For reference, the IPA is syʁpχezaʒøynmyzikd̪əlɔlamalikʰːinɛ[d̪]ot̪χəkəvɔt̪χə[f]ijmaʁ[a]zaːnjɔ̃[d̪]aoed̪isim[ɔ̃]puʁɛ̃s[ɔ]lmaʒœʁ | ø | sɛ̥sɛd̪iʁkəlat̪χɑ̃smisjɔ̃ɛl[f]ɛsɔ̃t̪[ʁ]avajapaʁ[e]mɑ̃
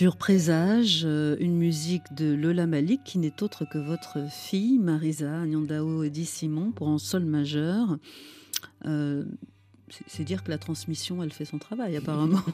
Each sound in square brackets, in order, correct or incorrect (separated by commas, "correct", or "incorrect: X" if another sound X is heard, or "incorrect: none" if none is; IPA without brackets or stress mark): incorrect: t̪, correct, incorrect: i, correct, correct, correct, correct, incorrect: χ, incorrect: a